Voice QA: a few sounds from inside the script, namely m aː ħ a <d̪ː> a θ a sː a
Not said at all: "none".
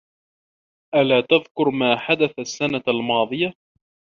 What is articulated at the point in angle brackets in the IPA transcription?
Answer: d̪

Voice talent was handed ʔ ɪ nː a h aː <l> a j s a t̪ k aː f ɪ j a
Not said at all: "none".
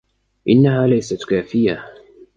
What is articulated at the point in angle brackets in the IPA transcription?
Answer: l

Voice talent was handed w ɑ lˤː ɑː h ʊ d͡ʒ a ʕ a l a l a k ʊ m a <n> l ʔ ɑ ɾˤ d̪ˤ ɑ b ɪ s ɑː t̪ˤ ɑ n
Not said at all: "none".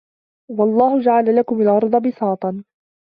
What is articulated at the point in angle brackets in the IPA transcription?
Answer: none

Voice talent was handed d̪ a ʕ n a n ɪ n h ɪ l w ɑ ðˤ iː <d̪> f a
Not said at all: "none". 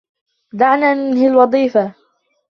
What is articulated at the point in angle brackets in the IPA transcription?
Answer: none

